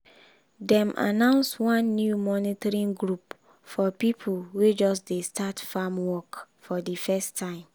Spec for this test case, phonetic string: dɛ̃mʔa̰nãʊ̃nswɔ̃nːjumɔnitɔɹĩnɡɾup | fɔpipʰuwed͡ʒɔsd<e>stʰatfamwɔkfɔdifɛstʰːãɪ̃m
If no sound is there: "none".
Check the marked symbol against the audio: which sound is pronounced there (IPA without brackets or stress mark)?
e